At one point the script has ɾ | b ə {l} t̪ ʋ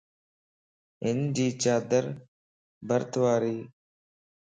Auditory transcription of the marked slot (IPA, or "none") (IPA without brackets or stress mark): ɾ